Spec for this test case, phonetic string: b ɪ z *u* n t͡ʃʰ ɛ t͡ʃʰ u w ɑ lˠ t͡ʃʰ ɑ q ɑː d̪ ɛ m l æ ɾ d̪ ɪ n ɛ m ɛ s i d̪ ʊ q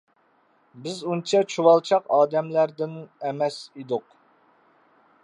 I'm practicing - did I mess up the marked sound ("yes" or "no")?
no